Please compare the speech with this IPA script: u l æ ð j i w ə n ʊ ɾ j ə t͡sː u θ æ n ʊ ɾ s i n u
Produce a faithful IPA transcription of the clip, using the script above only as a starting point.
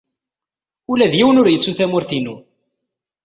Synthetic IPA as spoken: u l æ ð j i w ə n ʊ ɾ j ə t͡sː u θ æ m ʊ ɾ θ i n u